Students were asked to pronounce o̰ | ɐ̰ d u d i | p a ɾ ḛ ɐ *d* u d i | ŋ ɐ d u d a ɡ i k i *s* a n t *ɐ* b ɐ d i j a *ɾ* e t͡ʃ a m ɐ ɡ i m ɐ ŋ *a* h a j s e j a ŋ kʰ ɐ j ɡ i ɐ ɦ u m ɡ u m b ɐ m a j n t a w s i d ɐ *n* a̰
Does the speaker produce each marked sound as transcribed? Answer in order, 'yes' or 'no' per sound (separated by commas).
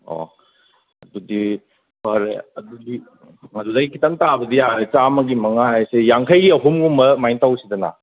yes, no, no, yes, yes, yes